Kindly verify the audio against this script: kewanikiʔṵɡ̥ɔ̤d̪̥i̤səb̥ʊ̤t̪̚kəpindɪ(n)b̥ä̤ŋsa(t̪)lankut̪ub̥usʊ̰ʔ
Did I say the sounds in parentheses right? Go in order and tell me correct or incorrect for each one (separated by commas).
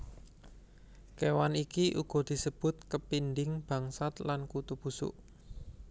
incorrect, correct